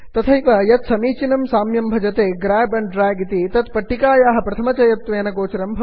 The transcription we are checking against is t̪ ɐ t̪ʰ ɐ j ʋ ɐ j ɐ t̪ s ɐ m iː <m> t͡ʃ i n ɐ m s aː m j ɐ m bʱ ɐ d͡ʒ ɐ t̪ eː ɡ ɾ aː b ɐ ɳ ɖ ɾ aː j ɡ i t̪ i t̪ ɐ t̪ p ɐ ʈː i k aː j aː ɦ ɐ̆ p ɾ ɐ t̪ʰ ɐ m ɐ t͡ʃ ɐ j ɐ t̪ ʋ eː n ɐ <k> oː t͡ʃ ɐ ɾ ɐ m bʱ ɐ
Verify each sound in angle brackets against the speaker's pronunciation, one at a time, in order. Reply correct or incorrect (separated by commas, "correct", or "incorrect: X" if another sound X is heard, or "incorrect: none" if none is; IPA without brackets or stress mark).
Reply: incorrect: none, incorrect: ɡ